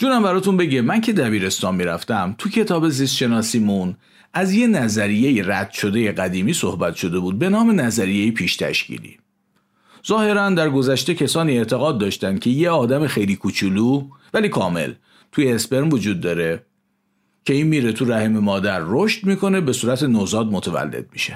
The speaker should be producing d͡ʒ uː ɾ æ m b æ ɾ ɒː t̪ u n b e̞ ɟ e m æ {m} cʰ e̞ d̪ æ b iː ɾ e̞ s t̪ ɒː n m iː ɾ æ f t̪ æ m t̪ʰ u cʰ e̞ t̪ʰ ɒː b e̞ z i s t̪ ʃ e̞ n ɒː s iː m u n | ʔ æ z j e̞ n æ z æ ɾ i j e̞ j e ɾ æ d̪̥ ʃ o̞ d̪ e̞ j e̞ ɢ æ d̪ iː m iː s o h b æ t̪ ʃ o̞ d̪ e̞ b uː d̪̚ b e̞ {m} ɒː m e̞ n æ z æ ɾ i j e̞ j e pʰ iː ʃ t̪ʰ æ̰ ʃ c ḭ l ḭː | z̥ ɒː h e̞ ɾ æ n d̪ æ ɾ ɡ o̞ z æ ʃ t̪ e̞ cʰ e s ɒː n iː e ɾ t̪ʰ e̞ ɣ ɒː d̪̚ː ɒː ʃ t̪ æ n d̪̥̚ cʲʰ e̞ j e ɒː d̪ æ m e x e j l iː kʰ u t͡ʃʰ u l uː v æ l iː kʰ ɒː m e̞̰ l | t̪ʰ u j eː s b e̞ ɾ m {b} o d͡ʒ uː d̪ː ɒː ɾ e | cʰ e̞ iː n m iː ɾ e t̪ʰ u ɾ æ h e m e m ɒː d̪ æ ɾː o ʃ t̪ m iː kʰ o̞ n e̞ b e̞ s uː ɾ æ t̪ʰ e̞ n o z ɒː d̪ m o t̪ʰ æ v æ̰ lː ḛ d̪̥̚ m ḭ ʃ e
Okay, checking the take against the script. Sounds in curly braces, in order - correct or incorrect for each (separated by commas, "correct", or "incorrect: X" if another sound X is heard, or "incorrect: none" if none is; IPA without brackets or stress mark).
incorrect: n, incorrect: n, incorrect: v